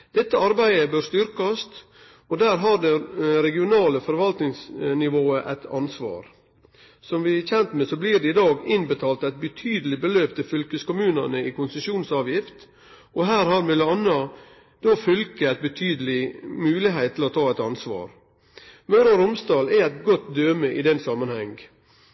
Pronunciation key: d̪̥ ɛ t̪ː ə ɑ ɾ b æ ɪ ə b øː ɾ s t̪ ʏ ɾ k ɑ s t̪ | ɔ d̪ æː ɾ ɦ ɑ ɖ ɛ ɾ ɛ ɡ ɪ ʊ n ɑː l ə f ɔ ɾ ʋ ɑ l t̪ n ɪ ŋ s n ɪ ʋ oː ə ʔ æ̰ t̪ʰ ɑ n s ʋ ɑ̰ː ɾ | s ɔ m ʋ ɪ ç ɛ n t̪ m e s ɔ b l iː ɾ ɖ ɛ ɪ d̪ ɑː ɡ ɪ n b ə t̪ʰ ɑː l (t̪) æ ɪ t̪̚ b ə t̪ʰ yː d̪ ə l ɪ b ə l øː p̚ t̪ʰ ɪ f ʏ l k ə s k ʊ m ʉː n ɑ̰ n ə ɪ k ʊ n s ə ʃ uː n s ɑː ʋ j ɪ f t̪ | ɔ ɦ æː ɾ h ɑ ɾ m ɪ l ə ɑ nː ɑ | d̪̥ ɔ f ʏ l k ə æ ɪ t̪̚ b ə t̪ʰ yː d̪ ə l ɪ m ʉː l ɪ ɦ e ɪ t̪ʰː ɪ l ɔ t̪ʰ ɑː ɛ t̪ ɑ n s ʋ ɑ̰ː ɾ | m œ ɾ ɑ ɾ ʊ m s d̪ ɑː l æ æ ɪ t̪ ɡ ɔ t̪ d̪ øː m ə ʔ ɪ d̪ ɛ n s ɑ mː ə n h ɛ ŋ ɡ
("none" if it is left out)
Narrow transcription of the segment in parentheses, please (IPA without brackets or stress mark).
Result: t̪